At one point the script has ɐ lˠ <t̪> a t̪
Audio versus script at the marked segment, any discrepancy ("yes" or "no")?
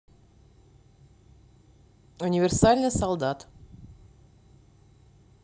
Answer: yes